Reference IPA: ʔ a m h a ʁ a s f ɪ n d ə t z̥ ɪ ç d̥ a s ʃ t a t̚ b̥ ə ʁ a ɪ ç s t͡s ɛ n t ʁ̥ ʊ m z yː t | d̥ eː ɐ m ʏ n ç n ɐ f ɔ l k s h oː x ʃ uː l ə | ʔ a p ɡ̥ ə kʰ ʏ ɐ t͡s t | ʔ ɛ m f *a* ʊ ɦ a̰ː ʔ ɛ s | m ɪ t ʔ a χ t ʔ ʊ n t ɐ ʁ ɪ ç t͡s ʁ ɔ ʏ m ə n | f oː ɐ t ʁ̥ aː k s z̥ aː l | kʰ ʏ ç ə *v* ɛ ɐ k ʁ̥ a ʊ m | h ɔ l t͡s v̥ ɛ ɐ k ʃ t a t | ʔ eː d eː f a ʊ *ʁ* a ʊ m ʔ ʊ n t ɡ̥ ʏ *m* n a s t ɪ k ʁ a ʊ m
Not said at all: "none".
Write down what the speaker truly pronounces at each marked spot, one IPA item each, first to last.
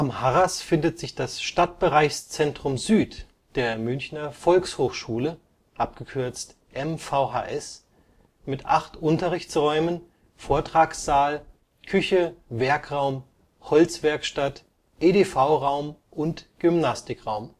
a, v, ʁ, m

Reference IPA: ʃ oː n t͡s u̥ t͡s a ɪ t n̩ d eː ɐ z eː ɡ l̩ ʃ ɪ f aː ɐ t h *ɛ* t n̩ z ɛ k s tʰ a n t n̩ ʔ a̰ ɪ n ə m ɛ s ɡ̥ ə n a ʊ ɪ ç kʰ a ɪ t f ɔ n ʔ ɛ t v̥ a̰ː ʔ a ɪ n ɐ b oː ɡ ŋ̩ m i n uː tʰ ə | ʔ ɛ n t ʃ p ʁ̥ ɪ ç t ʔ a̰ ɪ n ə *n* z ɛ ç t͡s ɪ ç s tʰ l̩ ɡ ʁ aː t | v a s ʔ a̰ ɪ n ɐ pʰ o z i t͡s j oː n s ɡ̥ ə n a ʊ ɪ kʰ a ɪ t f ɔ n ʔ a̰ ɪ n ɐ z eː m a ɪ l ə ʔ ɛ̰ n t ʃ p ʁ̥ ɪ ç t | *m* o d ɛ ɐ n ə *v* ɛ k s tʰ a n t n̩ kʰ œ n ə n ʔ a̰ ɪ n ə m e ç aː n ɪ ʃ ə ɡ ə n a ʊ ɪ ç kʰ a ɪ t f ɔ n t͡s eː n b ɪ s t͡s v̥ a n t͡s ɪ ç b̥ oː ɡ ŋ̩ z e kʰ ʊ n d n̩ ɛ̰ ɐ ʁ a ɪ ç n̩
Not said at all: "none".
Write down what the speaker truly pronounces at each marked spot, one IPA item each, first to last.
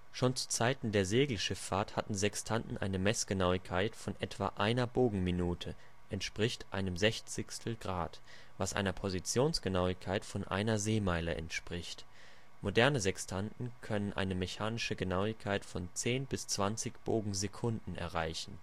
a, m, m, z

